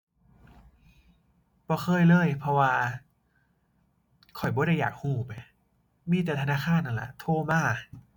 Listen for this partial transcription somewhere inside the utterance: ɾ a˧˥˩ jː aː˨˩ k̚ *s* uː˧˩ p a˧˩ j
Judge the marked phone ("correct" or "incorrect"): incorrect